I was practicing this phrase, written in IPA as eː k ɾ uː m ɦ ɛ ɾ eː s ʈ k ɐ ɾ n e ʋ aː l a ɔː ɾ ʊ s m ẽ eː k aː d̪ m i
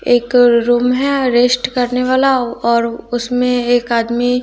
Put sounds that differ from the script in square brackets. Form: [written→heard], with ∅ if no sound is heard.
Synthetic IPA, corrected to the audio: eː k ɾ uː m ɦ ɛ ɾ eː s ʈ k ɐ ɾ n e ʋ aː l a ɔː ɾ ʊ s m ẽ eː k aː d̪ m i